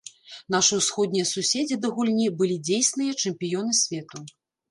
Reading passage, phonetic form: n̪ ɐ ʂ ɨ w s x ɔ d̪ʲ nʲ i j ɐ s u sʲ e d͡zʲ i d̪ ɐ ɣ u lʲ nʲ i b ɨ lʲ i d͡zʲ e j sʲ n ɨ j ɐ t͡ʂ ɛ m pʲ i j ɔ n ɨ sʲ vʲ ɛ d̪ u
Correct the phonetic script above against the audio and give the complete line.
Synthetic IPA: n̪ a ʂ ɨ w s x ɔ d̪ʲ nʲ i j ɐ s u sʲ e d͡zʲ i d̪ ɐ ɣ u lʲ nʲ i b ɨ lʲ i d͡zʲ e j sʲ n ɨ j ɐ t͡ʂ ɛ m pʲ i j ɔ n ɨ sʲ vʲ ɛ t̪ u

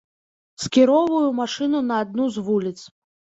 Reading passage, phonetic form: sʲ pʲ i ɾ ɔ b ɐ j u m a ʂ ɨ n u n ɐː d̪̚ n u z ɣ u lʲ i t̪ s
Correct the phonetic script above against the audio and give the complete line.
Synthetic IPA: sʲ kʲ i ɾ ɔ v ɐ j u m a ʂ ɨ n u n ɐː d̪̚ n u z v u lʲ i t̪ s

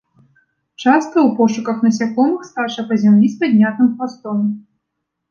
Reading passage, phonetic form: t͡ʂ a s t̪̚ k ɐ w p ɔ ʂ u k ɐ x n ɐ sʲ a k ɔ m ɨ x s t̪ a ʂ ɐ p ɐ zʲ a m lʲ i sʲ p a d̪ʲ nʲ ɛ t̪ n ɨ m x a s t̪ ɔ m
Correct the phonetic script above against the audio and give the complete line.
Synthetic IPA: t͡ʂ a s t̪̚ k ɐ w p ɔ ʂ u k ɐ x n ɐ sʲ a k ɔ m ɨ x s t̪ a ʂ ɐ p ɐ zʲ a m lʲ i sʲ p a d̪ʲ nʲ a t̪ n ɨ m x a s t̪ ɔ m

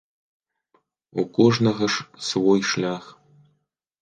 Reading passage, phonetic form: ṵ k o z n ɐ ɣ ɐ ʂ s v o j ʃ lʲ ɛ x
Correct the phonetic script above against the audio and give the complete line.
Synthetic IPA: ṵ k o ʐ n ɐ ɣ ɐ ʂ s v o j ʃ lʲ a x

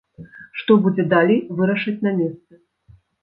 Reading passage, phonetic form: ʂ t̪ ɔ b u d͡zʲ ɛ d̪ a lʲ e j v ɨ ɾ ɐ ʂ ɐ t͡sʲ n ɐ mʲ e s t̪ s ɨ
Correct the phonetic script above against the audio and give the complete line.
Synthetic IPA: ʂ t̪ ɔ b u d͡zʲ ɛ d̪ a lʲ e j v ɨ ɾ ɐ ʂ ɐ t͡sʲ n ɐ mʲ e s t̪ s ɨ

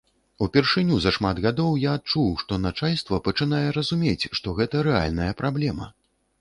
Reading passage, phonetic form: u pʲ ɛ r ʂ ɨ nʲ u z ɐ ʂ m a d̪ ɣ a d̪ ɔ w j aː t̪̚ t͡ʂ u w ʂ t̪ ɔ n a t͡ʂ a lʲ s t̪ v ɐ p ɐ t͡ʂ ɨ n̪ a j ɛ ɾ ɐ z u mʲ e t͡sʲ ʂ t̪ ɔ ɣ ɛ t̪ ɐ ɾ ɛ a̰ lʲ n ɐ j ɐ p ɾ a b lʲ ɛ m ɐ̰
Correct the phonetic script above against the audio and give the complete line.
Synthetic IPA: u pʲ ɛ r ʂ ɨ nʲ u z ɐ ʂ m a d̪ ɣ a d̪ ɔ w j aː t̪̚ t͡ʂ u w ʂ t̪ ɔ n a t͡ʂ a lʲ s t̪ v ɐ p ɐ t͡ʂ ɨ n̪ a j ɛ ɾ ɐ z u mʲ e t͡sʲ ʂ t̪ ɔ ɣ ɛ t̪ ɐ ɾ ɛ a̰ lʲ n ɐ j ɐ p ɾ a b lʲ ɛ m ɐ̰

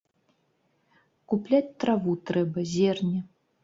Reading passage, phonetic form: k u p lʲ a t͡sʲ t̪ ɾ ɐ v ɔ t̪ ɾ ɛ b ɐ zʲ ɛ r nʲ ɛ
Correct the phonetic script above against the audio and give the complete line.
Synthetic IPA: k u p lʲ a t͡sʲ t̪ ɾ a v u t̪ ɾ ɛ b ɐ zʲ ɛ r nʲ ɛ

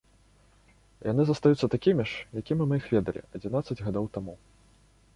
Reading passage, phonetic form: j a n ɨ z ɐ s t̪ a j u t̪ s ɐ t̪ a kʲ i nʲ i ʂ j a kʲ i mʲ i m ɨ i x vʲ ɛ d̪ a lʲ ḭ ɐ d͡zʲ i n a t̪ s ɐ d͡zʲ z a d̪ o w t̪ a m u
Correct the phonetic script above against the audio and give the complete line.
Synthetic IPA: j a n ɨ z ɐ s t̪ a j u t̪ s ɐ t̪ a kʲ i mʲ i ʂ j a kʲ i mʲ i m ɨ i x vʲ ɛ d̪ ɐ lʲ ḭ ɐ d͡zʲ i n a t̪ s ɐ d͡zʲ ɣ a d̪ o w t̪ a m u

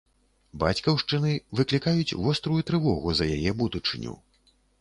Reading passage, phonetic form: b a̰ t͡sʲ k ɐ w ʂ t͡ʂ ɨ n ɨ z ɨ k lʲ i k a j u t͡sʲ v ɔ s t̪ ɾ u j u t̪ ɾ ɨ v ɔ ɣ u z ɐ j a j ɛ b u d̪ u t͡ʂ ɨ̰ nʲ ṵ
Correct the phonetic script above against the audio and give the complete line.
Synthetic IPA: b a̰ t͡sʲ k ɐ w ʂ t͡ʂ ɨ n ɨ v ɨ k lʲ i k a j u t͡sʲ v ɔ s t̪ ɾ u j u t̪ ɾ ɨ v ɔ ɣ u z ɐ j a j ɛ b u d̪ u t͡ʂ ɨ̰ nʲ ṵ

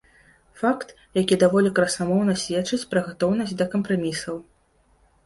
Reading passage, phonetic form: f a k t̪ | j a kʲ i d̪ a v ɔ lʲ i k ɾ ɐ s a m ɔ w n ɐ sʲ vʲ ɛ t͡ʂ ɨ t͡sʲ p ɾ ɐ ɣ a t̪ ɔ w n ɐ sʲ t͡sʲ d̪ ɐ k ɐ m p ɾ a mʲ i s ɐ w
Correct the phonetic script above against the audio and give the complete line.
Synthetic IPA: f a k t̪ | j a kʲ i d̪ a v ɔ lʲ i k ɾ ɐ s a m ɔ w n ɐ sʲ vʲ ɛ t͡ʂ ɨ t͡sʲ p ɾ ɐ ɣ a t̪ ɔ w n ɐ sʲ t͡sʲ d̪ ɐ k ɐ m p ɾ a mʲ i s ɐ w

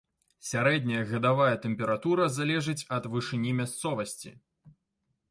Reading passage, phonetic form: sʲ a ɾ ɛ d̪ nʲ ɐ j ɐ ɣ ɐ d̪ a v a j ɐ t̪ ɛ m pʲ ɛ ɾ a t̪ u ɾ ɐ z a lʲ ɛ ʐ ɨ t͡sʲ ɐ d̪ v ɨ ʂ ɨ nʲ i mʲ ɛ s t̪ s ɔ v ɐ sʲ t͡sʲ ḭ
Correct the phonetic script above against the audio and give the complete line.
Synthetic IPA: sʲ a ɾ ɛ d̪ nʲ ɐ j ɐ ɣ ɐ d̪ a v a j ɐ t̪ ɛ m pʲ ɛ ɾ a t̪ u ɾ ɐ z a lʲ ɛ ʐ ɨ t͡sʲ ɐ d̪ v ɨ ʂ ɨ nʲ i mʲ a s t̪ s ɔ v ɐ sʲ t͡sʲ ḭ

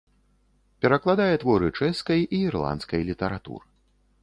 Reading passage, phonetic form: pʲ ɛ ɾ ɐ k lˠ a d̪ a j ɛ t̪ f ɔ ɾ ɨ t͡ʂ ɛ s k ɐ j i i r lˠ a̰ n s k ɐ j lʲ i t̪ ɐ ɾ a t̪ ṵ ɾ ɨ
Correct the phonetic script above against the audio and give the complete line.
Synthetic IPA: pʲ ɛ ɾ ɐ k lˠ a d̪ a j ɛ t̪ v ɔ ɾ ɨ t͡ʂ ɛ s k ɐ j i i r lˠ a̰ n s k ɐ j lʲ i t̪ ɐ ɾ a t̪ ṵ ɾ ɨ

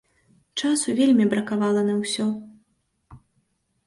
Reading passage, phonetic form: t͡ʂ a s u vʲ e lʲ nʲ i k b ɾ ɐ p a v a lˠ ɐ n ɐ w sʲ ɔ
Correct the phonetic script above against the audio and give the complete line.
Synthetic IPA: t͡ʂ a s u vʲ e lʲ mʲ i b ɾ ɐ k a v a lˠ ɐ n ɐ w sʲ ɔ

